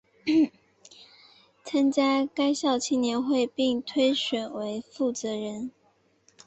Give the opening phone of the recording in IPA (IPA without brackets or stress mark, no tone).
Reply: t͡sʰ